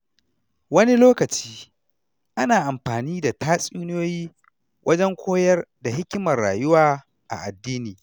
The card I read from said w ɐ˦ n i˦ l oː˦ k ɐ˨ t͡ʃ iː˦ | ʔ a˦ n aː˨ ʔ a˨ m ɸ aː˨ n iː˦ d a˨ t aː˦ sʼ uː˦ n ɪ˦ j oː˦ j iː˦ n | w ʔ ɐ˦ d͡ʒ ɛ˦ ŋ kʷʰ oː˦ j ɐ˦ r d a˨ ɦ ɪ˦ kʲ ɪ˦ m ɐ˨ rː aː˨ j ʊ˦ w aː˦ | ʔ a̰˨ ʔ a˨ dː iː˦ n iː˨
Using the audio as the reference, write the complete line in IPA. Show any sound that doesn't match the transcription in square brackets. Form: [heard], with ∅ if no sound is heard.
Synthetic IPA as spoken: w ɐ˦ n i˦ l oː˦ k ɐ˨ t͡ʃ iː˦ | ʔ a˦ n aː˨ ʔ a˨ m ɸ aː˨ n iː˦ d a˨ t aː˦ sʼ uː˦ n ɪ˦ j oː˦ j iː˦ [∅] | w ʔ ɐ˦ d͡ʒ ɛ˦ ŋ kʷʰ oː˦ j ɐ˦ r d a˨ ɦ ɪ˦ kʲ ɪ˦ m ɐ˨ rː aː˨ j ʊ˦ w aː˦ | ʔ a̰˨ ʔ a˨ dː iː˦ n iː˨